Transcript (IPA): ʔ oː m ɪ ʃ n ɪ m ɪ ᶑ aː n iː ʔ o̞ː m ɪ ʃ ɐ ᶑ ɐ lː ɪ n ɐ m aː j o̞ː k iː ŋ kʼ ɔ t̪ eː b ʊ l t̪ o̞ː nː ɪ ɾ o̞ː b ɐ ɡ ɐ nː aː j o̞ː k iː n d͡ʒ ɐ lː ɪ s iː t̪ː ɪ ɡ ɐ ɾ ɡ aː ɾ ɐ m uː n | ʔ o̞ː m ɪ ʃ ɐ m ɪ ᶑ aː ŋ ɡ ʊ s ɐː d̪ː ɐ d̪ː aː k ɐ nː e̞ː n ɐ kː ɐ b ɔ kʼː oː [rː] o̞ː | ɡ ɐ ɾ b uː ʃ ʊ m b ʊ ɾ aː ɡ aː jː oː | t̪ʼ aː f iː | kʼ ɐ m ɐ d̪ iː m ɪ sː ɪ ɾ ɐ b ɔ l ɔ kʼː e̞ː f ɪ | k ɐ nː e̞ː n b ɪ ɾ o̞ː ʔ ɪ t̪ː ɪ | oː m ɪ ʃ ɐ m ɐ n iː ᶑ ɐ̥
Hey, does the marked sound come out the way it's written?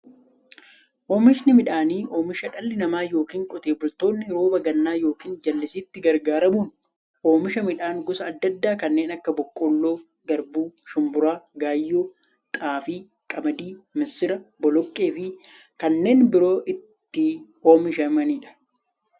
no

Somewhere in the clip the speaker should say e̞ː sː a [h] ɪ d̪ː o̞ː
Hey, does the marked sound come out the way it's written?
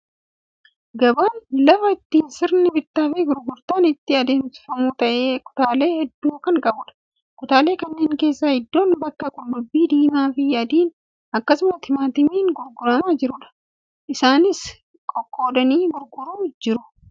yes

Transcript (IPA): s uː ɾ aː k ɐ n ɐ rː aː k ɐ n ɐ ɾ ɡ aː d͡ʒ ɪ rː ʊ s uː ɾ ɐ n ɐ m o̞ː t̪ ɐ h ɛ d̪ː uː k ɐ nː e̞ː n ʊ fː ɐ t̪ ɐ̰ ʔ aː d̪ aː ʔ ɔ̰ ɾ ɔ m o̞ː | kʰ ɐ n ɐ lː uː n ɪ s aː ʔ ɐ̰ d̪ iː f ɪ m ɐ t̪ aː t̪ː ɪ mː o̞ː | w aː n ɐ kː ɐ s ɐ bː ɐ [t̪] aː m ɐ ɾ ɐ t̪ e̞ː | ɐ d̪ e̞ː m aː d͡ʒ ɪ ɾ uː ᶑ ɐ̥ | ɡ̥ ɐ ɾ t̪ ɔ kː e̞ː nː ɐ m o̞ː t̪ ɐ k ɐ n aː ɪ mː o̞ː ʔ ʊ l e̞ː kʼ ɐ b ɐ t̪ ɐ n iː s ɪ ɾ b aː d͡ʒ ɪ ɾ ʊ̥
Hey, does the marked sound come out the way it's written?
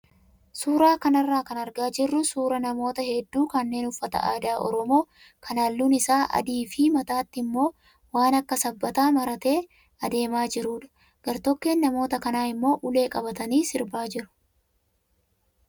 yes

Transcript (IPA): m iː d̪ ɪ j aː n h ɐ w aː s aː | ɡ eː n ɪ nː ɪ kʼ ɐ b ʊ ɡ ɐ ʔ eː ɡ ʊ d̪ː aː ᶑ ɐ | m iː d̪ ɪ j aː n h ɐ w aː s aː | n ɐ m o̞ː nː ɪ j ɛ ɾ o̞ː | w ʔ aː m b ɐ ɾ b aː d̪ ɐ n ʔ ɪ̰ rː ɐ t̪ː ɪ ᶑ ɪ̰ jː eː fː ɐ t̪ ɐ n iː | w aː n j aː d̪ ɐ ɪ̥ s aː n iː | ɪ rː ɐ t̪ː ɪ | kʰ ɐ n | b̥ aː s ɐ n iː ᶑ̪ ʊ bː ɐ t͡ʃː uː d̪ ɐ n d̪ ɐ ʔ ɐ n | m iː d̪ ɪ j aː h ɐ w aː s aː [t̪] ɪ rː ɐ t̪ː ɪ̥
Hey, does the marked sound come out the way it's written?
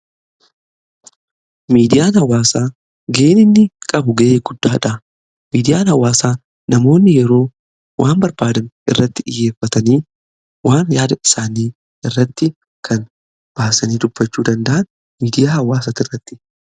yes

